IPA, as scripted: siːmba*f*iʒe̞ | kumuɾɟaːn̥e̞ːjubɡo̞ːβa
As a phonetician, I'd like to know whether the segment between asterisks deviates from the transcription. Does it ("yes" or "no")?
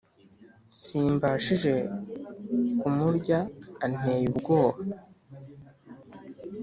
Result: yes